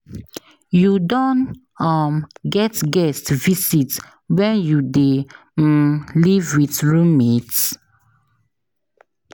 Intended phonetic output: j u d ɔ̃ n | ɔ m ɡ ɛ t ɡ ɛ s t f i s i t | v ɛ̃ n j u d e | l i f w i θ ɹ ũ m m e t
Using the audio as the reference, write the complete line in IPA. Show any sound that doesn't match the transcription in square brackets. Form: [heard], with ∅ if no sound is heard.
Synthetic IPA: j u d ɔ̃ n | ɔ m ɡ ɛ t ɡ ɛ s t [v] i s i t | [w] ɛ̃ n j u d e | l i [v] w i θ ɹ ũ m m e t